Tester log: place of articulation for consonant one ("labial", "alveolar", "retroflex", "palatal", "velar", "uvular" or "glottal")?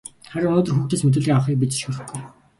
uvular